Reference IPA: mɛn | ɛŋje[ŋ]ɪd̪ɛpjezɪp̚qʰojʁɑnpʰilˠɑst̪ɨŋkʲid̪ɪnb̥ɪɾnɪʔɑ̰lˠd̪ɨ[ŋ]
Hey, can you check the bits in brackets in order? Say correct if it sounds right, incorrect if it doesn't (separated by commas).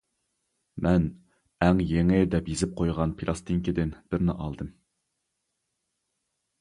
correct, incorrect